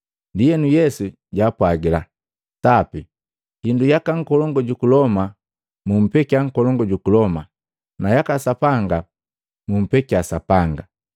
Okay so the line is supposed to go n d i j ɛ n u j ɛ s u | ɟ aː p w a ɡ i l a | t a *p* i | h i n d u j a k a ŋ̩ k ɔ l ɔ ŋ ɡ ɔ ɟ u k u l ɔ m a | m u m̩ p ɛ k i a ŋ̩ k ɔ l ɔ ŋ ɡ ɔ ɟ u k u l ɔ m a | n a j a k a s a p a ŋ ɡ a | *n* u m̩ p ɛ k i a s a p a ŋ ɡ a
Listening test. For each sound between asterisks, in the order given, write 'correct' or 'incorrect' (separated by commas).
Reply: correct, incorrect